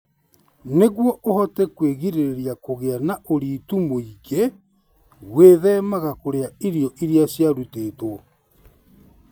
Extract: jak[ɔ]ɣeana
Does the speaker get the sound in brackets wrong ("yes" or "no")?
yes